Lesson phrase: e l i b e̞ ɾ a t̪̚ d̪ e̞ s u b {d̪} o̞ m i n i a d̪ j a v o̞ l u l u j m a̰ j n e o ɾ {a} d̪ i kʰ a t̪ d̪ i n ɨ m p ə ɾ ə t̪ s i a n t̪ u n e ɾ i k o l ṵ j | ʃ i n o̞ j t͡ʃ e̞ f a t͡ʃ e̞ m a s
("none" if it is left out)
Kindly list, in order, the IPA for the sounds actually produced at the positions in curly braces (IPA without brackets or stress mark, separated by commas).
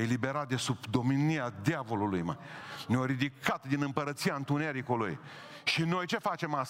d̪, i